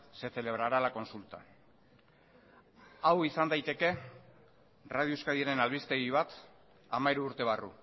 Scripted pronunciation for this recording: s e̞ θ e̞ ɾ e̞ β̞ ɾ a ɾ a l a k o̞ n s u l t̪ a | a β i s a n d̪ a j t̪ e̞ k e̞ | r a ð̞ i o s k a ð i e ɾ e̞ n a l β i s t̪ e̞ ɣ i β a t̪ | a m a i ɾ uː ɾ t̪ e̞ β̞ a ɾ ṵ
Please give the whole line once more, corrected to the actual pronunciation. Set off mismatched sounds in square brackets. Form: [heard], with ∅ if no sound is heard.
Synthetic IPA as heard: s e̞ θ e̞ [l] e̞ β̞ ɾ a ɾ a l a k o̞ n s u l t̪ a | a [w] i s a n d̪ a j t̪ e̞ k e̞ | r a ð̞ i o s k a ð i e ɾ e̞ n a l β i s t̪ e̞ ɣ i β a t̪ | a m a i ɾ uː ɾ t̪ e̞ β̞ a [r] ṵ